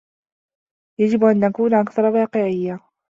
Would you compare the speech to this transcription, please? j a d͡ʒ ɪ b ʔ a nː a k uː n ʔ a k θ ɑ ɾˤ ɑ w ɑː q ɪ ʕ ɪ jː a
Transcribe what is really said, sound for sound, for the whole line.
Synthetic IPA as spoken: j a d͡ʒ ɪ b ʔ a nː a k uː n ʔ a k θ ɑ ɾˤ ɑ w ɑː q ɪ ʕ ɪ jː a